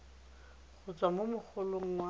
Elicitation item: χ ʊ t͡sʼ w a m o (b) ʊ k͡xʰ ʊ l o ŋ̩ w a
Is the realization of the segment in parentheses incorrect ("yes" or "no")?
yes